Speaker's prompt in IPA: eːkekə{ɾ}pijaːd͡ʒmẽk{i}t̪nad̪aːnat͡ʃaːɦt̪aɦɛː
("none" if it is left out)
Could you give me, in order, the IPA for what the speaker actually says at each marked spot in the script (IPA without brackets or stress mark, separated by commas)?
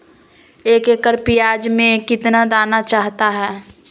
ɾ, ɪ